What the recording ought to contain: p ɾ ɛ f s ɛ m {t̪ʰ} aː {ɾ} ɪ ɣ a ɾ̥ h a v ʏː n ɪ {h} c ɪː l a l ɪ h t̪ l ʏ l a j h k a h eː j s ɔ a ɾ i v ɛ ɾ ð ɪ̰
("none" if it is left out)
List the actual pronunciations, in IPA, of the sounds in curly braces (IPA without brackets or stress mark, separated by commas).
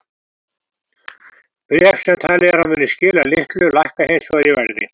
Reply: t̪ʰ, l, s